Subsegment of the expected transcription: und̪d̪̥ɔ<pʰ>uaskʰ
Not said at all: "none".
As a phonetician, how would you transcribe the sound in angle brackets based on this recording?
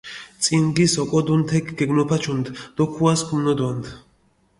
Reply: kʰ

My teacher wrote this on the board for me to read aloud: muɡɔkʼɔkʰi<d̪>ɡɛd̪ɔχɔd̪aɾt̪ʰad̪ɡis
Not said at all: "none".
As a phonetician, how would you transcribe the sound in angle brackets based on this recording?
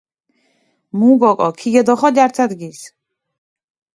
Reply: none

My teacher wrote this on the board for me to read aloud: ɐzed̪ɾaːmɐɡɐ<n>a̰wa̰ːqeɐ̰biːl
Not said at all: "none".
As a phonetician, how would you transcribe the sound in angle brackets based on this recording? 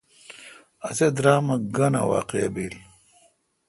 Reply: n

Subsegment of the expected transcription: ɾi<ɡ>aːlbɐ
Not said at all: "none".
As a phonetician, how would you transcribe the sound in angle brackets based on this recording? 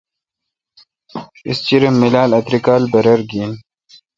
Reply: k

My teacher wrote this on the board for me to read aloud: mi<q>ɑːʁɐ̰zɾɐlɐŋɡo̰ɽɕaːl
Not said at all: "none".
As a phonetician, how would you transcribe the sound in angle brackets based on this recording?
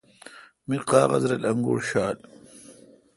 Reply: q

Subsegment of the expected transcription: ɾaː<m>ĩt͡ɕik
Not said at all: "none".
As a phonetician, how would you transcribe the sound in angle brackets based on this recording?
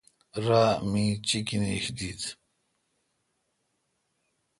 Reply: m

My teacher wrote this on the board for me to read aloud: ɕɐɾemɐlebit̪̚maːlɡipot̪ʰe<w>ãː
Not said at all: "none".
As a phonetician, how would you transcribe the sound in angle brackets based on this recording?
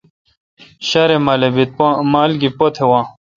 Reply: w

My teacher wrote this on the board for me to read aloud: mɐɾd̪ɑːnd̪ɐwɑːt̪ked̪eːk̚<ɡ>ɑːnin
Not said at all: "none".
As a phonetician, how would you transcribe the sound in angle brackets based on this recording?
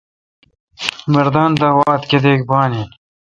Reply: b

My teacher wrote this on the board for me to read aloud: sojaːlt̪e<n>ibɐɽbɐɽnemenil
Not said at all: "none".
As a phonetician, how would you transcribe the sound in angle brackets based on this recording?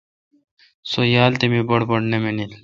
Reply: m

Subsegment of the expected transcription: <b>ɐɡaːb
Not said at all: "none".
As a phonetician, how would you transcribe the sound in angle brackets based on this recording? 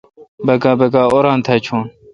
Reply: b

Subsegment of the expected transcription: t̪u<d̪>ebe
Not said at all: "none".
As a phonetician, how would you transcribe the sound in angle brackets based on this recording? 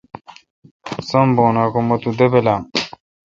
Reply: d̪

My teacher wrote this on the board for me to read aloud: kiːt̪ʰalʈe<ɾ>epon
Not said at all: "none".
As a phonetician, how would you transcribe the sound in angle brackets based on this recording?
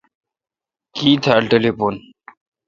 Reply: l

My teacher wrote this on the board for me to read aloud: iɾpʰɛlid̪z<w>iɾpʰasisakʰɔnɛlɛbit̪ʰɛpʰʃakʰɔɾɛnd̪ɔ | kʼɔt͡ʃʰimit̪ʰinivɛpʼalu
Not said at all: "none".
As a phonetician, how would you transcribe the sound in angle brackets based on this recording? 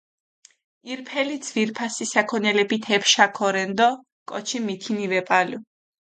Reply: v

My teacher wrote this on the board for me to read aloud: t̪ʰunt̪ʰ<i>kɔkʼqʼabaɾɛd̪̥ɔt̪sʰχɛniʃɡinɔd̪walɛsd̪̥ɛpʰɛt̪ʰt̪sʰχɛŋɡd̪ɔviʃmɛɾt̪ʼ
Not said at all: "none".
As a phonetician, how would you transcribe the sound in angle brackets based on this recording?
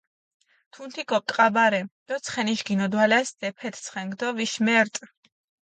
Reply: i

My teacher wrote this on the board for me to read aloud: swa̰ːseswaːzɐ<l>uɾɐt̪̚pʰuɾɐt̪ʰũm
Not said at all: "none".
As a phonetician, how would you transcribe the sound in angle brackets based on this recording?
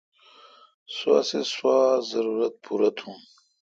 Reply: ɾ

